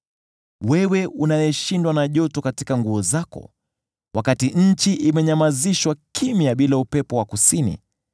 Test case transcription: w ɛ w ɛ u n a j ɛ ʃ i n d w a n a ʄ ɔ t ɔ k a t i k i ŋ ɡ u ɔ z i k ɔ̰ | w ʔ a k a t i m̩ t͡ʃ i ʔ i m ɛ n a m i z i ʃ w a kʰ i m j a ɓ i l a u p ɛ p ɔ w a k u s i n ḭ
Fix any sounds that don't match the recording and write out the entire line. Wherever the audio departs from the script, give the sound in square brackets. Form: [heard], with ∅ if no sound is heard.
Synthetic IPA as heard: w ɛ w ɛ u n a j ɛ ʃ i n d w a n a ʄ ɔ t ɔ k a t i k [a] ŋ ɡ u ɔ z [a] k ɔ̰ | w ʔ a k a t i [ɲ̩] t͡ʃ i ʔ i m ɛ [ɲ] a m [a] z i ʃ w a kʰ i m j a ɓ i l a u p ɛ p ɔ w a k u s i n ḭ